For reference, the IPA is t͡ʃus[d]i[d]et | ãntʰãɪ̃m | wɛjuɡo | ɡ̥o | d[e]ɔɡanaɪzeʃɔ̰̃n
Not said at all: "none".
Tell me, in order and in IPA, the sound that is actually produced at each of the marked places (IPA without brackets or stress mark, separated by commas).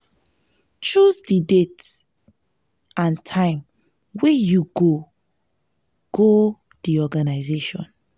d, d, i